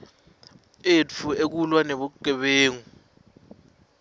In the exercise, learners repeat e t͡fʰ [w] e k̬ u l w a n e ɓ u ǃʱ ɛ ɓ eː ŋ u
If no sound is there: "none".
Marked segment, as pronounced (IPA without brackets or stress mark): u